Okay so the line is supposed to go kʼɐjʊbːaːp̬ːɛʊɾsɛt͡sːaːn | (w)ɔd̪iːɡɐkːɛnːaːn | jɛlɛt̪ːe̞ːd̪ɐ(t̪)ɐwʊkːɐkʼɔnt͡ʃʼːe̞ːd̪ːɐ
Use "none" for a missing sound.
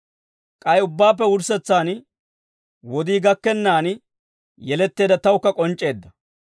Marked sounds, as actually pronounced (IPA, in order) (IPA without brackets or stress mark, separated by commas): w, t̪